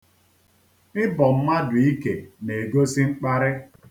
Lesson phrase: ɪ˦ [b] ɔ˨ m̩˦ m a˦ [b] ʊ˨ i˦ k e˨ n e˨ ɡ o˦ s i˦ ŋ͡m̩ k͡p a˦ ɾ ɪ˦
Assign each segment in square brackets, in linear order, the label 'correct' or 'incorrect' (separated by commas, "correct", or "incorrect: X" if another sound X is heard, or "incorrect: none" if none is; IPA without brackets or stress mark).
correct, incorrect: d